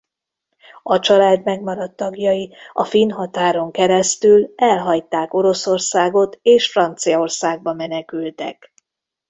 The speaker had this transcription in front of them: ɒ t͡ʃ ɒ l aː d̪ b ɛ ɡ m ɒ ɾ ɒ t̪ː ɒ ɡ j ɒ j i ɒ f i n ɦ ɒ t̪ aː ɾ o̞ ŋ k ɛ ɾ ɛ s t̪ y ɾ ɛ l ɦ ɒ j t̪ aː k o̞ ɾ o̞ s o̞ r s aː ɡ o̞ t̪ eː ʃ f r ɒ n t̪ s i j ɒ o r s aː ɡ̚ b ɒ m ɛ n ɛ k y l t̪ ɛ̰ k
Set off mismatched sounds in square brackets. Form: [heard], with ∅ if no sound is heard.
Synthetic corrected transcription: ɒ t͡ʃ ɒ l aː d̪ [m] ɛ ɡ m ɒ ɾ ɒ t̪ː ɒ ɡ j ɒ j i ɒ f i n ɦ ɒ t̪ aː ɾ o̞ ŋ k ɛ ɾ ɛ s t̪ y [l] ɛ l ɦ ɒ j t̪ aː k o̞ ɾ o̞ s o̞ r s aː ɡ o̞ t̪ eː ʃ f r ɒ n t̪ s i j ɒ o r s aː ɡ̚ b ɒ m ɛ n ɛ k y l t̪ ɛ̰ k

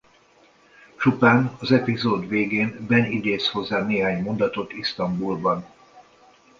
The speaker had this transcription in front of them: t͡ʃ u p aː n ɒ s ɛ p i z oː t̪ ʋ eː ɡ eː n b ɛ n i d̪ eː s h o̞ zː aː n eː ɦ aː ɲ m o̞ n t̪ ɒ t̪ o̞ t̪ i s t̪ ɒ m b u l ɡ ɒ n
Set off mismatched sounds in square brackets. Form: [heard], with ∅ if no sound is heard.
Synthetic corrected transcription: t͡ʃ u p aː n ɒ [z] ɛ p i z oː [d̪] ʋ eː ɡ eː n b ɛ n i d̪ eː s h o̞ zː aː n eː ɦ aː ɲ m o̞ n [d̪] ɒ t̪ o̞ t̪ i s t̪ ɒ m b u l [b] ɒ n

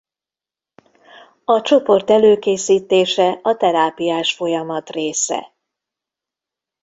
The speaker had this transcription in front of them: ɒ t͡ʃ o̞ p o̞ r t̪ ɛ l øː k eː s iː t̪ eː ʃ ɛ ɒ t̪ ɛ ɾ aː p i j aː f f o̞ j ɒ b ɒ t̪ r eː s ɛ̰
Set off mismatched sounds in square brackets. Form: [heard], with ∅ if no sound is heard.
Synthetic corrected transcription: ɒ t͡ʃ o̞ p o̞ r t̪ ɛ l øː k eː s iː t̪ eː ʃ ɛ ɒ t̪ ɛ ɾ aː p i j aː [ʃ] f o̞ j ɒ [m] ɒ t̪ r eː s ɛ̰

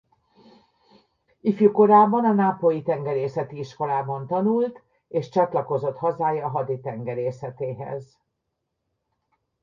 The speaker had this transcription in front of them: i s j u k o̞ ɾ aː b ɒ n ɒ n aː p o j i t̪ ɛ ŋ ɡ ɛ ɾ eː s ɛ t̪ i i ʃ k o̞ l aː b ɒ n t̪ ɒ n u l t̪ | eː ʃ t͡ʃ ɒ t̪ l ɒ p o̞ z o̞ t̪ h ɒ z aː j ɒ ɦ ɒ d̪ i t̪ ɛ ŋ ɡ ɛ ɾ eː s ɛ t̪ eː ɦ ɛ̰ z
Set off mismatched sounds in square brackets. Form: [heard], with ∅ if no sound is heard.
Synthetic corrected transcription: i [f] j u k o̞ ɾ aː b ɒ n ɒ n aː p o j i t̪ ɛ ŋ ɡ ɛ ɾ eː s ɛ t̪ i i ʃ k o̞ l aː b ɒ n t̪ ɒ n u l t̪ | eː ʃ t͡ʃ ɒ t̪ l ɒ [k] o̞ z o̞ t̪ h ɒ z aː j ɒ ɦ ɒ d̪ i t̪ ɛ ŋ ɡ ɛ ɾ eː s ɛ t̪ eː ɦ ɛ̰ z

